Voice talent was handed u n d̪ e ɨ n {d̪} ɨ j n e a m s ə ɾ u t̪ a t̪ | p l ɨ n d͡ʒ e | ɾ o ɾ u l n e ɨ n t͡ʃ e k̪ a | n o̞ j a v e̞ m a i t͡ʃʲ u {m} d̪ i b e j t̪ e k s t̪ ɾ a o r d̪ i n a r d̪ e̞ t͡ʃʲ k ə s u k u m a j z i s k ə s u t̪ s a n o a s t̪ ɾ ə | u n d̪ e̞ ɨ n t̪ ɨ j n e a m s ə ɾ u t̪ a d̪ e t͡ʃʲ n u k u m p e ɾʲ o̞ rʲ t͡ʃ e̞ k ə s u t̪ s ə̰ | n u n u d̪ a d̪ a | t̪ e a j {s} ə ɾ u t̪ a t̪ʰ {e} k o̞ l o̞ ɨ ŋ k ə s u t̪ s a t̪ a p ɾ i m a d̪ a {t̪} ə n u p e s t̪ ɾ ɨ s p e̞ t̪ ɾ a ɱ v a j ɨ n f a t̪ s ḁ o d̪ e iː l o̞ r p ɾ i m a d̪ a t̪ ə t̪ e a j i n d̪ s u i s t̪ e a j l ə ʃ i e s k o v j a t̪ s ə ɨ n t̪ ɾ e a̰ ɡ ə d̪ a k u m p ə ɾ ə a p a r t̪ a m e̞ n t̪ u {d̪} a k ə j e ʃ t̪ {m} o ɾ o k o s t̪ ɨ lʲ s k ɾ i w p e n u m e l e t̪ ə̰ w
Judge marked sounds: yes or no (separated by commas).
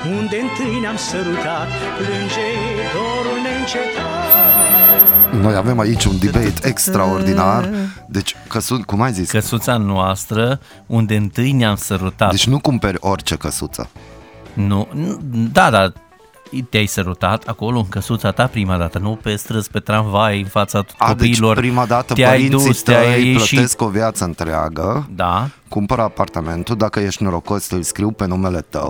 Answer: no, no, yes, no, yes, yes, no